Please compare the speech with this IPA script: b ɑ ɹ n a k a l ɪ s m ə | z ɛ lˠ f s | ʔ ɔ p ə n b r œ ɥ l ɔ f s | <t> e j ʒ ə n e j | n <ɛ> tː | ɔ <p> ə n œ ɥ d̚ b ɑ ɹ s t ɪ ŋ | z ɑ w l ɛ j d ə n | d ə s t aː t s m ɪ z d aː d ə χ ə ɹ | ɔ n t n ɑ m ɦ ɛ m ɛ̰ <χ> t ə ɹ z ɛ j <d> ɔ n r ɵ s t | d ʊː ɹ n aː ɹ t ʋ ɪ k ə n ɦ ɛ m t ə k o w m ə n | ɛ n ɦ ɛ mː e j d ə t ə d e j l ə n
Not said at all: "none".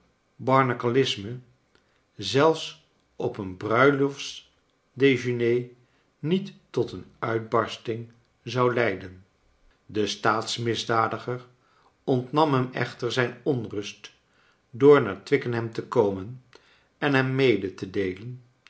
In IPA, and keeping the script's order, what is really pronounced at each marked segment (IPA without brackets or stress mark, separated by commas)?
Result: d, i, t, χ, n